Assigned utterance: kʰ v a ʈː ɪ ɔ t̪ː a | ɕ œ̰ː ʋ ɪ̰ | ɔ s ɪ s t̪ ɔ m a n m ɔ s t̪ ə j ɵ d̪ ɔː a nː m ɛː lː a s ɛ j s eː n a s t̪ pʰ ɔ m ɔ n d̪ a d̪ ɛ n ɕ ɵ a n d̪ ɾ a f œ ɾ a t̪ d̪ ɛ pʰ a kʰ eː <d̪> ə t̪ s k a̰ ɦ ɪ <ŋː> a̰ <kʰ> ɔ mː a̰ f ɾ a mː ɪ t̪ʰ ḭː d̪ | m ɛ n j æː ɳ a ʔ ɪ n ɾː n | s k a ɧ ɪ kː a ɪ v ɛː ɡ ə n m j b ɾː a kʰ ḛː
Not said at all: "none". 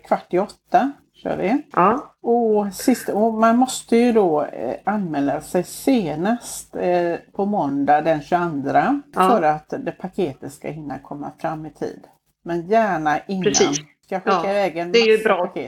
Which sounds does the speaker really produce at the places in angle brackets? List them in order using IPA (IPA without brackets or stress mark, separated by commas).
t̪, nː, kʰ